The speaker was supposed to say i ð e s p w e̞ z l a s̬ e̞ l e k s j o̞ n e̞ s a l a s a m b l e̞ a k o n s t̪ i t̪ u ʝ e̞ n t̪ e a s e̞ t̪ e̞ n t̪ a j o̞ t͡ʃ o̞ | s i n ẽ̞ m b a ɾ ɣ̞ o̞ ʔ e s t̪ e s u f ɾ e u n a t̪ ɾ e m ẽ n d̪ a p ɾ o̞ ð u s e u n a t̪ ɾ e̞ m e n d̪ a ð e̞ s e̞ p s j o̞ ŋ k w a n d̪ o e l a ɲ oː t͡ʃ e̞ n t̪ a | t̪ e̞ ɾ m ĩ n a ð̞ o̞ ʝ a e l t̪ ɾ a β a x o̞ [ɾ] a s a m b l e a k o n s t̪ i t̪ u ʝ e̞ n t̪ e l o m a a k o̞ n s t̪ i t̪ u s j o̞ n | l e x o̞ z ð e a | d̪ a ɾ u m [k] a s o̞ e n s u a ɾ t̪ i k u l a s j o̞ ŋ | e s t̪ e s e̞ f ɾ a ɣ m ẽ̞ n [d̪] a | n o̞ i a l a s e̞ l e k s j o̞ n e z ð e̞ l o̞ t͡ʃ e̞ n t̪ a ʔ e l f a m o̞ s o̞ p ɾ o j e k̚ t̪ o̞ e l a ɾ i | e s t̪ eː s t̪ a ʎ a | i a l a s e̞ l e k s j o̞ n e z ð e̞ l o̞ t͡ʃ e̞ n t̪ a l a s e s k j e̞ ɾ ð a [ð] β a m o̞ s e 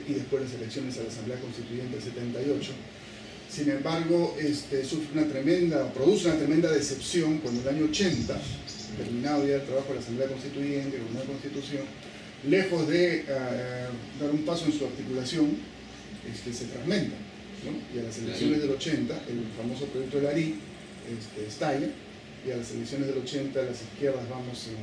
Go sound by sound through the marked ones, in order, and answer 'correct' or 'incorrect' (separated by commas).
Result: incorrect, incorrect, incorrect, incorrect